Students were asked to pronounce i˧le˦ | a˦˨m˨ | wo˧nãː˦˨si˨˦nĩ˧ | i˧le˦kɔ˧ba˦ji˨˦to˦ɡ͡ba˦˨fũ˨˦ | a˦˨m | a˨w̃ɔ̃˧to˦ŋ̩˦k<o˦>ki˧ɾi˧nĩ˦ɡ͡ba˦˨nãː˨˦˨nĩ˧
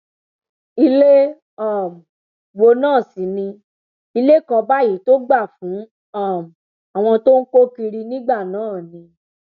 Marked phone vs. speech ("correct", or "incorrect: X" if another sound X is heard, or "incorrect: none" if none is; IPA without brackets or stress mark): correct